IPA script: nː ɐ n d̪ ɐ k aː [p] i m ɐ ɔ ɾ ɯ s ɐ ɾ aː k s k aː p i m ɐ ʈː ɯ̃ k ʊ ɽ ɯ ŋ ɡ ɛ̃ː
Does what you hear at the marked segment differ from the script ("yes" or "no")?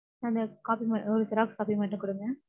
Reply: no